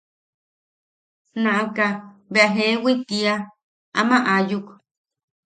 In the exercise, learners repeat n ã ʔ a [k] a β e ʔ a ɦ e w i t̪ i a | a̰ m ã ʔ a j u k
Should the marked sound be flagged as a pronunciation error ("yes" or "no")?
no